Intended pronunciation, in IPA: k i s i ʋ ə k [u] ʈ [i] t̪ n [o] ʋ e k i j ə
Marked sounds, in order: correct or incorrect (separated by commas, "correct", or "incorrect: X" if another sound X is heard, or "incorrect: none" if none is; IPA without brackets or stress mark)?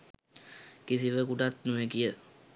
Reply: correct, incorrect: a, incorrect: u